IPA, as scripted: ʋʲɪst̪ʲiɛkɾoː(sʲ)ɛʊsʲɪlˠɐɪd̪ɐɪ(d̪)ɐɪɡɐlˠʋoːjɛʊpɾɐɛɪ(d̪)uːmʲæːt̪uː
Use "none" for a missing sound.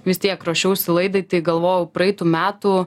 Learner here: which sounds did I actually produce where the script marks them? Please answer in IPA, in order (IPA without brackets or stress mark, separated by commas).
ʃʲ, t̪, t̪